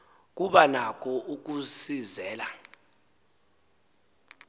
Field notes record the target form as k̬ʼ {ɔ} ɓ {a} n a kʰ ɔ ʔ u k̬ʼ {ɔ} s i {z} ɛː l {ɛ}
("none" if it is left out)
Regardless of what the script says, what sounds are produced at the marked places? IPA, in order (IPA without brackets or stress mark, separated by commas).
u, a, u, z, a